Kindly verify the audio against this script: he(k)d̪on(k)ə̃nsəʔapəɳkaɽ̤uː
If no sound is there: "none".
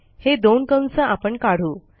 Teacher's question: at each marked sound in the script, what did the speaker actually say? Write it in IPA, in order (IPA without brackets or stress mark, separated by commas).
none, k